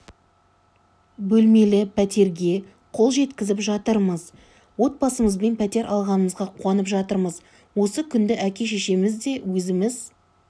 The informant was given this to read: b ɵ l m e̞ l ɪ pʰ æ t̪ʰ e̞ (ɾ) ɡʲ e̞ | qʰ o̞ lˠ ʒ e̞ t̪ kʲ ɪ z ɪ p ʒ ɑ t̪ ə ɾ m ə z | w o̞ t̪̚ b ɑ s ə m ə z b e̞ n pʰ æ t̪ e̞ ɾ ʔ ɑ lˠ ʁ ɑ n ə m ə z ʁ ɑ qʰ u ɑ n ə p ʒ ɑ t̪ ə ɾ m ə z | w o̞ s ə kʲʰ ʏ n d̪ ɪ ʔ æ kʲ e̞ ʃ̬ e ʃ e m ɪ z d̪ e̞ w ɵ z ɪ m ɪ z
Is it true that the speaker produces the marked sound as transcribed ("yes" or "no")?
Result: yes